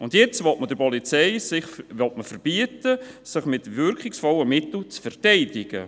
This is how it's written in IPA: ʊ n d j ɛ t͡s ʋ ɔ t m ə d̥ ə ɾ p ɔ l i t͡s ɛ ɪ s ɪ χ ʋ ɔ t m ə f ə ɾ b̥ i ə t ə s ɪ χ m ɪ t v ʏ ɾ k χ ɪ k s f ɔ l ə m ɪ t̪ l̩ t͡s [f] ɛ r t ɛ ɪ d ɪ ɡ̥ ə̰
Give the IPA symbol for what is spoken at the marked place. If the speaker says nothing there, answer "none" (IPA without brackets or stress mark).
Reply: f